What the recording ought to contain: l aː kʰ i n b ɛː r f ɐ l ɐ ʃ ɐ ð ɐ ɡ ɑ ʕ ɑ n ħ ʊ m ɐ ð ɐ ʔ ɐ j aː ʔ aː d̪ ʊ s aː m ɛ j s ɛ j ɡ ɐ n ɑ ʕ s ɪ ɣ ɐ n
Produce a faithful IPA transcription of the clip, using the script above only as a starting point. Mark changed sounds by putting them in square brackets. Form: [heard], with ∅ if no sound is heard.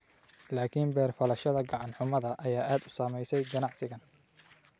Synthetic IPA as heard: l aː kʰ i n b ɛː r f ɐ l ɐ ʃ ɐ ð ɐ ɡ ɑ ʕ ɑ n ħ ʊ m ɐ ð ɐ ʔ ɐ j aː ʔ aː d̪ ʊ s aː m ɛ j s ɛ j ɡ ɐ n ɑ ʕ s ɪ ɣ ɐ n